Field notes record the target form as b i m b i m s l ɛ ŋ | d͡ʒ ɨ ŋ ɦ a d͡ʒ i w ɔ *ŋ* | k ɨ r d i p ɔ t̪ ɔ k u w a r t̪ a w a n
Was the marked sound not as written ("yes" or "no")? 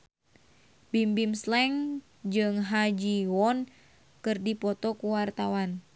yes